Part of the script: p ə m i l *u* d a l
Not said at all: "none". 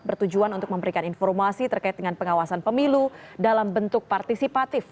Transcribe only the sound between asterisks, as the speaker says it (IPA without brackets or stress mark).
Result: u